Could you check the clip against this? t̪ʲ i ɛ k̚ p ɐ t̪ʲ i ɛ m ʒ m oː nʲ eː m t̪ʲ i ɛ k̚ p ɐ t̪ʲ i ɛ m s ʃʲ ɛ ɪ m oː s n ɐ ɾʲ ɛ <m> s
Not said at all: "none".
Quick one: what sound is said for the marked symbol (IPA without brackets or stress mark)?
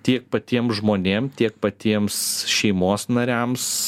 m